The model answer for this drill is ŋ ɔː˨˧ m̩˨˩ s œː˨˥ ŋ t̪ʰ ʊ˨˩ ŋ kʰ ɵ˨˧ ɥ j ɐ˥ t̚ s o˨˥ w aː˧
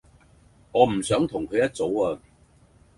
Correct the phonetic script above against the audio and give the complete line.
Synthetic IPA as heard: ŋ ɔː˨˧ m̩˨˩ s œː˨˥ ŋ t̪ʰ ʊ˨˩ ŋ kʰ ɵ˨˧ ɥ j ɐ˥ t̚ t͡s o˨˥ w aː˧